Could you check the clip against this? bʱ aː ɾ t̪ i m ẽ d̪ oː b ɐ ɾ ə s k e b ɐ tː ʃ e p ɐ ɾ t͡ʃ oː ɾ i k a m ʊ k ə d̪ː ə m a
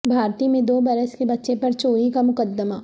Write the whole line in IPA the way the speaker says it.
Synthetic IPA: bʱ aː ɾ t̪ i m ẽ d̪ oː b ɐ ɾ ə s k e b ɐ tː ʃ e p ɐ ɾ t͡ʃ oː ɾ i k a m ʊ k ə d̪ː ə m a